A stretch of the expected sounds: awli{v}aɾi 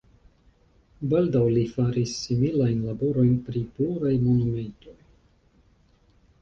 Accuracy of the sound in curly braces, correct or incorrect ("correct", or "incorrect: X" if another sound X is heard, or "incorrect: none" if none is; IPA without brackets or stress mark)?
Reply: incorrect: f